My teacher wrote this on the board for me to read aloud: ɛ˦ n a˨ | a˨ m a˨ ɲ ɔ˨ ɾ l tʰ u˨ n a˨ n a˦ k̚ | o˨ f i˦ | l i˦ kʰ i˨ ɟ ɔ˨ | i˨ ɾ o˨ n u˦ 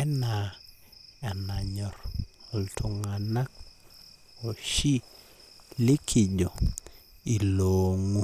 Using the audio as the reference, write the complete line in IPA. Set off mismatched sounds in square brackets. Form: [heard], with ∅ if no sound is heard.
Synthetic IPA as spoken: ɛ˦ n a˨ | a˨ [n] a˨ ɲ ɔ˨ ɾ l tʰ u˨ [ŋ] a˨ n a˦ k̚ | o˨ [ʃ] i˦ | l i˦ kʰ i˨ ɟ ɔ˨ | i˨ [l] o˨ [ŋ] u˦